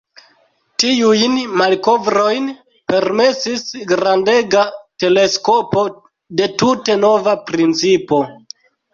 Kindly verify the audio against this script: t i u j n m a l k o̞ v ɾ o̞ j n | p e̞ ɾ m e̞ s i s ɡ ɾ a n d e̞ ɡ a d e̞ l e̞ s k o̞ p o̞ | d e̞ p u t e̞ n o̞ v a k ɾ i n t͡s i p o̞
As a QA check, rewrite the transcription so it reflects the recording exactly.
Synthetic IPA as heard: t i u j n m a l k o̞ v ɾ o̞ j n | p e̞ ɾ m e̞ s i s ɡ ɾ a n d e̞ ɡ a t e̞ l e̞ s k o̞ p o̞ | d e̞ t u t e̞ n o̞ v a p ɾ i n t͡s i p o̞